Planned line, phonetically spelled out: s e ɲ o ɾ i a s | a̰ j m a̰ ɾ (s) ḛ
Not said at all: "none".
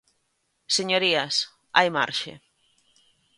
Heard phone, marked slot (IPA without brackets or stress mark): ʃ